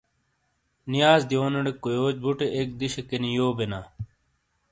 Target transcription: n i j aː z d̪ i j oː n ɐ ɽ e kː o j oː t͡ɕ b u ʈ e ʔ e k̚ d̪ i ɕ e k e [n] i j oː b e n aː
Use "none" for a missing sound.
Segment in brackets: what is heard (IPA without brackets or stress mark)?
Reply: n